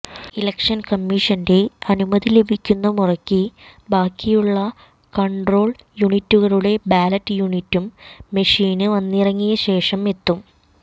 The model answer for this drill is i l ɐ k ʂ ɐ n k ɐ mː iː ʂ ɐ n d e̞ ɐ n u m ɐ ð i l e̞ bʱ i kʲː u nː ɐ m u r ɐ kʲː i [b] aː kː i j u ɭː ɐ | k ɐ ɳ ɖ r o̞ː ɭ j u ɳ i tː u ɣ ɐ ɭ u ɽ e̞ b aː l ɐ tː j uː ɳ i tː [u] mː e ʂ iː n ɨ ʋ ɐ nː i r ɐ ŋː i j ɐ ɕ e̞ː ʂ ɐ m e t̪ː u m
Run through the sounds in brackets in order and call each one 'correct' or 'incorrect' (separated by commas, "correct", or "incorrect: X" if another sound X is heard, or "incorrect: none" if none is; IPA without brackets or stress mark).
correct, correct